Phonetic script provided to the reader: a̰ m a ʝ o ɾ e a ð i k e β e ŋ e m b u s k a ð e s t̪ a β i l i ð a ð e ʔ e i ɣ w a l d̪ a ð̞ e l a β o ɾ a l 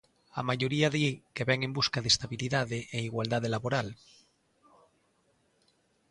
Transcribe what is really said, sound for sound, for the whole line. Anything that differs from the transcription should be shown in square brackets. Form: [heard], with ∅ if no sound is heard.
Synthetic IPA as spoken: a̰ m a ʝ o ɾ [i] a ð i k e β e ŋ e m b u s k a ð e s t̪ a β i l i ð a ð e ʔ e i ɣ w a l d̪ a ð̞ e l a β o ɾ a l